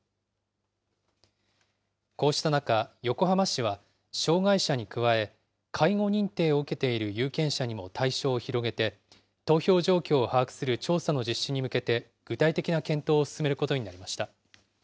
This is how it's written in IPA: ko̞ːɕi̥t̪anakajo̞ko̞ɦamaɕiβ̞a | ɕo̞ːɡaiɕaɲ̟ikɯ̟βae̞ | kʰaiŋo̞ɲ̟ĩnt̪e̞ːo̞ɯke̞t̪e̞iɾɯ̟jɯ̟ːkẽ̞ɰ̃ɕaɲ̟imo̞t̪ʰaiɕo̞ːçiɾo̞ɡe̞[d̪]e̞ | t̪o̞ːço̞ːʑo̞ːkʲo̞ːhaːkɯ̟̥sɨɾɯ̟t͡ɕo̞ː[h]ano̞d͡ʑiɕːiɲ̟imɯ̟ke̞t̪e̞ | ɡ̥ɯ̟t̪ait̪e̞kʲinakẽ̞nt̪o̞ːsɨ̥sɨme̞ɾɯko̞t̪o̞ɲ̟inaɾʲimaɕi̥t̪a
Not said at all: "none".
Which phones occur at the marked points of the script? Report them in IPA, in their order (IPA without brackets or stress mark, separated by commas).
t̪, s